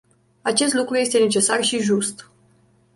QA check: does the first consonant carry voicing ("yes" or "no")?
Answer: no